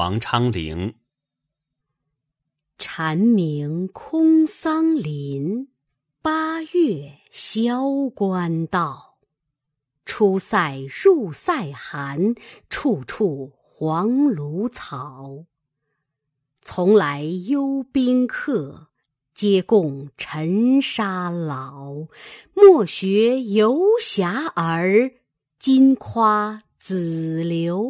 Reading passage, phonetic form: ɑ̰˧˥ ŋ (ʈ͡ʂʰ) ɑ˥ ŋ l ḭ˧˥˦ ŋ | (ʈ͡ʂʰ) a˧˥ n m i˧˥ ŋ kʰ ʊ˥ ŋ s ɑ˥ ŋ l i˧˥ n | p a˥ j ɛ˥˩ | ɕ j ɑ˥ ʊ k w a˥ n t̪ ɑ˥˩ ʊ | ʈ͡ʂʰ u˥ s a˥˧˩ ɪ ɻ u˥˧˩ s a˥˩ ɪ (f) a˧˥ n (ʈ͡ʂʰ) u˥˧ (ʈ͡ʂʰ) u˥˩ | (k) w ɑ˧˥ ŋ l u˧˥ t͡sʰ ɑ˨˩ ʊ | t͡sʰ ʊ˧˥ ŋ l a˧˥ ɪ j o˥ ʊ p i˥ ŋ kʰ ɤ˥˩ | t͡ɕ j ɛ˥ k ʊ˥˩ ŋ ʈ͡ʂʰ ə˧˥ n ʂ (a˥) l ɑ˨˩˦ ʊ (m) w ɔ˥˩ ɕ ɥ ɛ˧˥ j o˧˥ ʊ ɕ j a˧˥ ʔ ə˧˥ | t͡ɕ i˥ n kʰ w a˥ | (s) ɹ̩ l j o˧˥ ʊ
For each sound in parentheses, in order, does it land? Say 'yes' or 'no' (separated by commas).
yes, yes, no, yes, yes, no, yes, yes, no